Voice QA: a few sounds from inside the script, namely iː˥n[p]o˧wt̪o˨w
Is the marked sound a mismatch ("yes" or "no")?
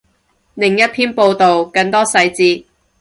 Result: no